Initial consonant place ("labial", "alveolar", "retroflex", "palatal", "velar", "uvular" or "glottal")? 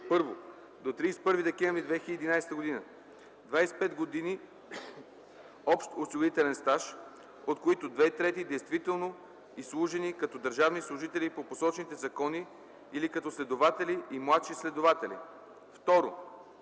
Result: labial